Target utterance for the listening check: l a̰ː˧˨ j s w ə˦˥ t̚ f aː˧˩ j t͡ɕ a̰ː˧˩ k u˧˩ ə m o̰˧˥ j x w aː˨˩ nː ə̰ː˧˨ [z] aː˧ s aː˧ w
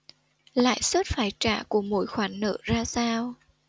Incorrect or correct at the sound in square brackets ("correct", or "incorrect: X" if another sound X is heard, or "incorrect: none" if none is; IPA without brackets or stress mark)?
correct